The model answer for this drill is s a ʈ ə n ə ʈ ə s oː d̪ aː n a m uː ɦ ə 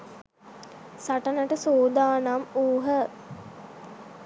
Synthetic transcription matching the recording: s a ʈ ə n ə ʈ ə s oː d̪ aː n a m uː ɦ ə

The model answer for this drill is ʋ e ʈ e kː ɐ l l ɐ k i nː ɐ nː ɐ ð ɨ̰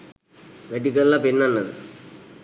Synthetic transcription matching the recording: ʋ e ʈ i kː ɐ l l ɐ p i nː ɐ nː ɐ ð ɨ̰

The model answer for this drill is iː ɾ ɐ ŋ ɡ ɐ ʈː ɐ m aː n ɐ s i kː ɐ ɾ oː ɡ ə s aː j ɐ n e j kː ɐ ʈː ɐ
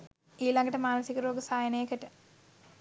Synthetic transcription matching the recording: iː l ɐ ŋ ɡ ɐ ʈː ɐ m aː n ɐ s i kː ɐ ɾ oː ɡ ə s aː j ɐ n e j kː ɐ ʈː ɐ

